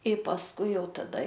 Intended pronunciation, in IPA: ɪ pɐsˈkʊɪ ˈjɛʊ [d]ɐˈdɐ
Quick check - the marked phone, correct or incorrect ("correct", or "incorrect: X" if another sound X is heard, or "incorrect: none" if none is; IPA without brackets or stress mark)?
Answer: incorrect: t